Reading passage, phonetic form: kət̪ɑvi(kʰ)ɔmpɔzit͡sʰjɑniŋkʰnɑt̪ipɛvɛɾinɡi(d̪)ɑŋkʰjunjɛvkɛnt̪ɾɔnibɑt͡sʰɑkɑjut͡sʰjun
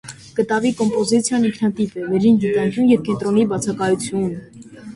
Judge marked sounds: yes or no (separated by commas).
no, no